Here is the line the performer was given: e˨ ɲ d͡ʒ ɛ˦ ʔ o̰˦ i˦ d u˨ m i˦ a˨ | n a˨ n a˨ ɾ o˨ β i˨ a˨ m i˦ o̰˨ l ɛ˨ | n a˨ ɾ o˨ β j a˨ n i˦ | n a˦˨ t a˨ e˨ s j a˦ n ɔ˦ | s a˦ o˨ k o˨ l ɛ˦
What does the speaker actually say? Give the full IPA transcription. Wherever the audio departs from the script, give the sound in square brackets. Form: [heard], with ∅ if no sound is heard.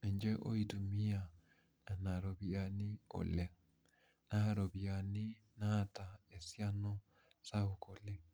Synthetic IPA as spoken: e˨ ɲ d͡ʒ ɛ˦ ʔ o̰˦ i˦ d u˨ m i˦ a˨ | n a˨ n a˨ ɾ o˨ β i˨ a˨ [n] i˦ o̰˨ l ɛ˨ | n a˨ ɾ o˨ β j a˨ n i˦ | n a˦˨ t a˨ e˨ s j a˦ n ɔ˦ | s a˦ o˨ k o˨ l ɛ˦